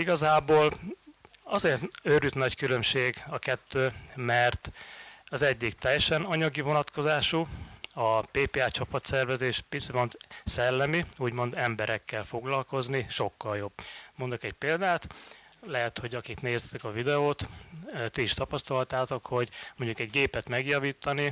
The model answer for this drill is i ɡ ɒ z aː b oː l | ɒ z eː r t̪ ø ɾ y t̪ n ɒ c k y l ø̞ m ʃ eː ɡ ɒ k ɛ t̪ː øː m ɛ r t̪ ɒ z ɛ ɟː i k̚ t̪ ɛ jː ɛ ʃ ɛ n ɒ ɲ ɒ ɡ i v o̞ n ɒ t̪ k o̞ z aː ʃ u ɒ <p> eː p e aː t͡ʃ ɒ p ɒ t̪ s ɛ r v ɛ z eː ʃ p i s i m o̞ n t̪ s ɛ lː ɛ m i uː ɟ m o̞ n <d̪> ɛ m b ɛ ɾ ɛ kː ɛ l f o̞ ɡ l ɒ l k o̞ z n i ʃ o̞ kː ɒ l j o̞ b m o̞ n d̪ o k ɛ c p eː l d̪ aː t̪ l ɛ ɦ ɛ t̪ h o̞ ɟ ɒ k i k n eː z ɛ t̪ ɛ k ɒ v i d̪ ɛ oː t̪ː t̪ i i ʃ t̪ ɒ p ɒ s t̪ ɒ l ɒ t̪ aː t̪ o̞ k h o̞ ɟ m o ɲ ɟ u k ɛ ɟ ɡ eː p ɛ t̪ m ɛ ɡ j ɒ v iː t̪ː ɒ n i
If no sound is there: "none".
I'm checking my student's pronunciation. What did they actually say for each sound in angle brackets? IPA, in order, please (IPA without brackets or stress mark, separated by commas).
p, d̪